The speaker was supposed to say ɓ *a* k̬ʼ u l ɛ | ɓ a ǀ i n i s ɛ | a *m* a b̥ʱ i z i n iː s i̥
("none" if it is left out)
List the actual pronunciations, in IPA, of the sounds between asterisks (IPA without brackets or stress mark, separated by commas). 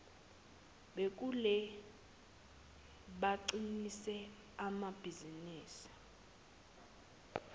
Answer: e, m